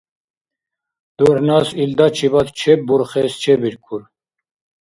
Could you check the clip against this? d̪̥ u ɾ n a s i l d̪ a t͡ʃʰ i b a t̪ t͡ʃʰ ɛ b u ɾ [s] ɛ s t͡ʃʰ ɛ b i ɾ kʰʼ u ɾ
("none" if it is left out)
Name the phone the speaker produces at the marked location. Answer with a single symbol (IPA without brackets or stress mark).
χ